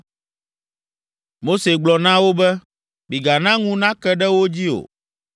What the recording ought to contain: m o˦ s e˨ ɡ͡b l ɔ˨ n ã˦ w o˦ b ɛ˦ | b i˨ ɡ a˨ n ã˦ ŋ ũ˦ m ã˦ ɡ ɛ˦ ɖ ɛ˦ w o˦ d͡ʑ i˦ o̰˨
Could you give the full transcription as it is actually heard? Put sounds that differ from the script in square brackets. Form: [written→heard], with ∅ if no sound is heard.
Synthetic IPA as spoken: m o˦ s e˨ ɡ͡b l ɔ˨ n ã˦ w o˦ b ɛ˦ | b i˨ ɡ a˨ n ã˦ ŋ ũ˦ [m→n] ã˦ [ɡ→k] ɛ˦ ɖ ɛ˦ w o˦ d͡ʑ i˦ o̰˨

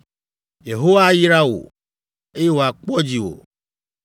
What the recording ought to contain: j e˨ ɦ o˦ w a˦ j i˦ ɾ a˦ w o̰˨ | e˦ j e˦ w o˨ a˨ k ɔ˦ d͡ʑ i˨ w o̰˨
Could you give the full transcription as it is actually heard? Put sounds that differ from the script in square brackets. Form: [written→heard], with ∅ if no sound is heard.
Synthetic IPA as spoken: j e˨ ɦ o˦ w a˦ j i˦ ɾ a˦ w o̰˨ | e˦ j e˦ w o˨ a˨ [k→k͡p] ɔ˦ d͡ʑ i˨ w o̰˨

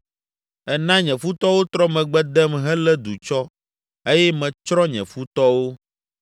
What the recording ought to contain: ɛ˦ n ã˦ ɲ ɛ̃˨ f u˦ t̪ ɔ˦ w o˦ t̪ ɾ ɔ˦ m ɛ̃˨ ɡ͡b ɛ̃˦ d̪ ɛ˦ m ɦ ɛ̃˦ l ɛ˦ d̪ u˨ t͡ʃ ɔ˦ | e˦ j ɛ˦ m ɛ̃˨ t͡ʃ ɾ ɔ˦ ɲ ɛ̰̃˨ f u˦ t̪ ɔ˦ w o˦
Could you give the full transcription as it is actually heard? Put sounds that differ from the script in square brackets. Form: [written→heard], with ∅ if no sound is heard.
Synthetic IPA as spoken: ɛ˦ n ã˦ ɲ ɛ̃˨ f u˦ t̪ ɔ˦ w o˦ t̪ ɾ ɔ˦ m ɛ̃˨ ɡ͡b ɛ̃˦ d̪ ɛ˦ m ɦ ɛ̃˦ l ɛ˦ d̪ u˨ t͡ʃ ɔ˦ | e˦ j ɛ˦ m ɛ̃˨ t͡ʃ ɾ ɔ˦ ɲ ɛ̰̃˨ f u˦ t̪ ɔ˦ w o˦

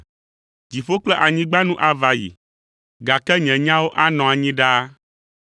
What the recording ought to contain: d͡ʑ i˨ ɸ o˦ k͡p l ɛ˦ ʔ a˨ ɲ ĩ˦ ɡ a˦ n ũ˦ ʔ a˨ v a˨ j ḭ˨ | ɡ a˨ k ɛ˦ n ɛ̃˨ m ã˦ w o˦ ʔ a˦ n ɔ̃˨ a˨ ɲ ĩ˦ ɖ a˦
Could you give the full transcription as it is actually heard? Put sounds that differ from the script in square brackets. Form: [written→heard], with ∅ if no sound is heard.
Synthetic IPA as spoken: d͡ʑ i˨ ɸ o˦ k͡p l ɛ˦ ʔ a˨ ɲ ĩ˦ [ɡ→ɡ͡b] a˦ n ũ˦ ʔ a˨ v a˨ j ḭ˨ | ɡ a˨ k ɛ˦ [n→ɲ] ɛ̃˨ [m→ɲ] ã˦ w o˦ ʔ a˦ n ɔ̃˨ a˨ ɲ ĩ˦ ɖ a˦

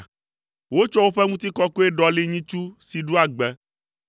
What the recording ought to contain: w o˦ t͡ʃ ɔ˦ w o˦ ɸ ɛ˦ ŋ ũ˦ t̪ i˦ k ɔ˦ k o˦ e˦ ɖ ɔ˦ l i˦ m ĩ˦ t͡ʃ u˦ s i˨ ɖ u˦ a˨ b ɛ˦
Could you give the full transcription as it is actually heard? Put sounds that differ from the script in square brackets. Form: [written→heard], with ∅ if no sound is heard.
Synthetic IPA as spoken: w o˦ t͡ʃ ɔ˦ w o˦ ɸ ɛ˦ ŋ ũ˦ t̪ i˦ k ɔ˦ k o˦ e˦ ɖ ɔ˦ l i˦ [m→ɲ] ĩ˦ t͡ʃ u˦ s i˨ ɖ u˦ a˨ [b→ɡ͡b] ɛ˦

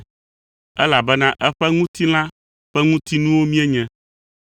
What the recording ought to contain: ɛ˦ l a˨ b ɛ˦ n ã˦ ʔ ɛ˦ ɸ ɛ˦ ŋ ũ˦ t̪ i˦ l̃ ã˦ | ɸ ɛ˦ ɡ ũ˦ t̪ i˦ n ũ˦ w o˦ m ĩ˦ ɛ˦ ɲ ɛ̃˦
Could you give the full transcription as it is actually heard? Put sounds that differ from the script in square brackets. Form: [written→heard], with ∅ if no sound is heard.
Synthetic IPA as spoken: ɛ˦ l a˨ b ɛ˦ n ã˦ ʔ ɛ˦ ɸ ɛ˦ ŋ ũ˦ t̪ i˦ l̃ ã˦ | ɸ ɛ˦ [ɡ→ŋ] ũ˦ t̪ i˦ n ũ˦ w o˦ m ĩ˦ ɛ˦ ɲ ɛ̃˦

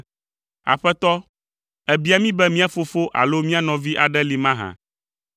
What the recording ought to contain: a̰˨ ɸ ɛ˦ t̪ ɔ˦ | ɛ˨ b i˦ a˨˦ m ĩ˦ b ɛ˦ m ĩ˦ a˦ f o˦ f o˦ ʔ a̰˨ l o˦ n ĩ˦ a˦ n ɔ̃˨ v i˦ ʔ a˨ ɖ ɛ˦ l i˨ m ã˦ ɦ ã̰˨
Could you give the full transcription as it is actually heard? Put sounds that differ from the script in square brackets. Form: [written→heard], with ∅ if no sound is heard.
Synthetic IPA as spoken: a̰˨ ɸ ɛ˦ t̪ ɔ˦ | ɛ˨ b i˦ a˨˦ m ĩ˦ b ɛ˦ m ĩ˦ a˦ f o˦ f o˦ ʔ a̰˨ l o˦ [n→m] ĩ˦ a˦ n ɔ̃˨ v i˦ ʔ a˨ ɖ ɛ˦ l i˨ m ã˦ ɦ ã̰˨

